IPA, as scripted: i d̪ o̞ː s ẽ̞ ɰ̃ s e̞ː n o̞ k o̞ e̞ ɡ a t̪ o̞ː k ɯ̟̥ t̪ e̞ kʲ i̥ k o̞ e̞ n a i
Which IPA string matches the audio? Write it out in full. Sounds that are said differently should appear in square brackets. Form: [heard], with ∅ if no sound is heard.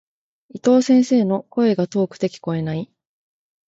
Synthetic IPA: i [t̪] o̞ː s ẽ̞ ɰ̃ s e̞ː n o̞ k o̞ e̞ ɡ a t̪ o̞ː k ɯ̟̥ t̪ e̞ kʲ i̥ k o̞ e̞ n a i